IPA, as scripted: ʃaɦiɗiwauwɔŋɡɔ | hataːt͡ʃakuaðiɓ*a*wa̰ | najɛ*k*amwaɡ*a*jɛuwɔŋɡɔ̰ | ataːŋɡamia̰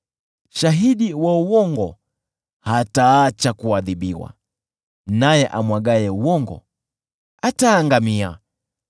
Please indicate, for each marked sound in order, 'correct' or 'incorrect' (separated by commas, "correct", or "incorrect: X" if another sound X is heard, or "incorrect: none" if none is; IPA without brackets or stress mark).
incorrect: i, incorrect: ʔ, correct